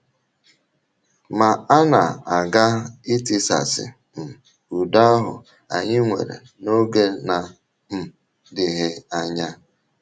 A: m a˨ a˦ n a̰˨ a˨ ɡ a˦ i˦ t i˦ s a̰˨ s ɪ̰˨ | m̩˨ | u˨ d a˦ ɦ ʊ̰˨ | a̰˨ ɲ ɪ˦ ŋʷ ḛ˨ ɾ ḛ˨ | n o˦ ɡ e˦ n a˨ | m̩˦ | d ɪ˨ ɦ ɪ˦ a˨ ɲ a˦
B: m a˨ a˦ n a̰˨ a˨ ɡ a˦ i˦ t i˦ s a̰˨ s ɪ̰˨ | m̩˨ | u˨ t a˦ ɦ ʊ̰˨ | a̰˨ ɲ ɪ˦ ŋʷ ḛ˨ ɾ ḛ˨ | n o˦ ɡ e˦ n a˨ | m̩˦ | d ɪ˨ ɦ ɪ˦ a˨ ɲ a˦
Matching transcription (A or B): A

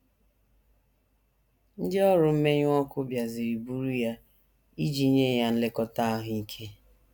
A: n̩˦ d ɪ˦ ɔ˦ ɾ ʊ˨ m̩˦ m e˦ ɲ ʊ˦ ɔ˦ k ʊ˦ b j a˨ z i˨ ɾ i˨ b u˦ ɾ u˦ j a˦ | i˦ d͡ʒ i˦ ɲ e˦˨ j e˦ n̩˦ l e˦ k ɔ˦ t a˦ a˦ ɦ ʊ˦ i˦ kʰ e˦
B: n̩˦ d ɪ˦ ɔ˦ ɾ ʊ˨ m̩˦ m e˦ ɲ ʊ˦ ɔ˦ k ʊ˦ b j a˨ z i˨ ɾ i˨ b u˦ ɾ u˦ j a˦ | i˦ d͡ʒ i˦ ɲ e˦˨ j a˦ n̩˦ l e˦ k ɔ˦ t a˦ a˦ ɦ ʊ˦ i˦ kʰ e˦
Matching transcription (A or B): B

